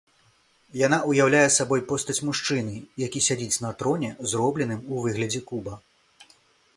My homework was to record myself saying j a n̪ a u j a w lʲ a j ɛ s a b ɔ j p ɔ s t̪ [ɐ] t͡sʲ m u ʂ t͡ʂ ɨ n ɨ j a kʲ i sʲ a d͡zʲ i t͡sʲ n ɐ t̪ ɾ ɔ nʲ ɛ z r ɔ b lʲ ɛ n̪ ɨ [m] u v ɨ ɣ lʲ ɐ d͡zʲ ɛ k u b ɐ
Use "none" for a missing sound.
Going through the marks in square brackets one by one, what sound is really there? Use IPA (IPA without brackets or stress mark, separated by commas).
ɐ, m